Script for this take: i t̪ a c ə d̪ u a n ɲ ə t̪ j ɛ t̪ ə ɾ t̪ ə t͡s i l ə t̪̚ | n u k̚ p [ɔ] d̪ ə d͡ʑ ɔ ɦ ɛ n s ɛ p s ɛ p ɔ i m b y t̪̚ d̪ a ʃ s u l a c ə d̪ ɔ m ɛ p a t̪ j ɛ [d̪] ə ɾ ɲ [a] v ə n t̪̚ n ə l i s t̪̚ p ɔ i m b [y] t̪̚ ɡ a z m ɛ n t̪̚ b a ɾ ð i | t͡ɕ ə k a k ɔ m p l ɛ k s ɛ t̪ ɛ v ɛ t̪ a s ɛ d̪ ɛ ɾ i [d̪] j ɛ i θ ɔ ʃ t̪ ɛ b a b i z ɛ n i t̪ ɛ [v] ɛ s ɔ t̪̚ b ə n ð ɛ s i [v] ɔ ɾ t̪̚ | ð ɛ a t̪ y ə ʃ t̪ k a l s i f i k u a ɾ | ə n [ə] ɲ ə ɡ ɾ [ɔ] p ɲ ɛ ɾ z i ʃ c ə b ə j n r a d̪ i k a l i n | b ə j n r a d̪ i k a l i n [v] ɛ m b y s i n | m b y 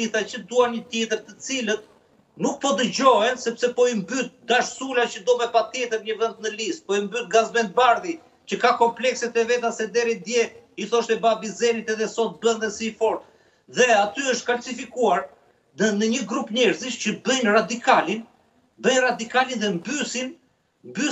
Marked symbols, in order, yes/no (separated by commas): yes, no, no, yes, yes, no, no, yes, no, no